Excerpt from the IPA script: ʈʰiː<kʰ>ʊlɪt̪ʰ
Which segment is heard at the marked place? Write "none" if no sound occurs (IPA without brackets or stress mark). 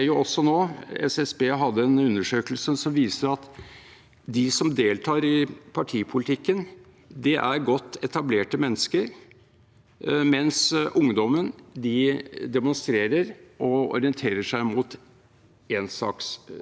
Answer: pʰ